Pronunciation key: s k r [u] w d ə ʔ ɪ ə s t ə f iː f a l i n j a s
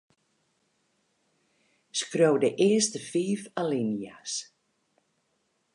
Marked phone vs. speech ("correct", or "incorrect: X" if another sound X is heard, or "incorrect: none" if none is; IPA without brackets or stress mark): incorrect: o